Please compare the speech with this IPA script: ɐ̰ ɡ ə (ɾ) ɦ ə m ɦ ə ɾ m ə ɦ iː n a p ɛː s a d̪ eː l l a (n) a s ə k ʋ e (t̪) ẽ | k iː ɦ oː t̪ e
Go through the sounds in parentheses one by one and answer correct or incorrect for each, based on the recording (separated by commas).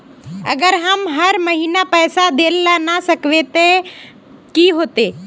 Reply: correct, correct, correct